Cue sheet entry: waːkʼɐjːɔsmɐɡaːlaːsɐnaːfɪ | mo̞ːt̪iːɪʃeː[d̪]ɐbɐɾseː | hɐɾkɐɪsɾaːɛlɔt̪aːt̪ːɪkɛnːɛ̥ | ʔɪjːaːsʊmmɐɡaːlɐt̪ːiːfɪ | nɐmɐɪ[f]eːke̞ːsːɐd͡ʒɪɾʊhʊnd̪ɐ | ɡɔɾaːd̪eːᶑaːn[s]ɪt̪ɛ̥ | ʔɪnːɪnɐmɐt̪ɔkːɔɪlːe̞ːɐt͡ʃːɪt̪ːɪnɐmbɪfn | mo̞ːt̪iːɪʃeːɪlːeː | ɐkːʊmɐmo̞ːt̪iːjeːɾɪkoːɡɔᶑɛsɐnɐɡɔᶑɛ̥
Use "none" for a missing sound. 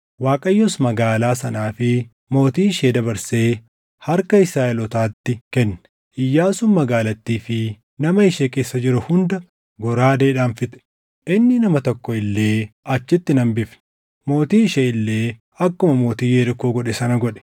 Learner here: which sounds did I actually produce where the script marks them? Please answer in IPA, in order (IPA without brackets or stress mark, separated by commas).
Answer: d̪, ʃ, f